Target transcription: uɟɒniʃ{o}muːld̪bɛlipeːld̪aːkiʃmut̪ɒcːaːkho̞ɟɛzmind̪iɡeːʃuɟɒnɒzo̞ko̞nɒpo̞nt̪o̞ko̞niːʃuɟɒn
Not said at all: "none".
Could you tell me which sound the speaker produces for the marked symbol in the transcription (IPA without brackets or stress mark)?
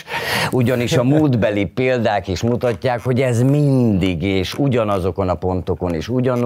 ɒ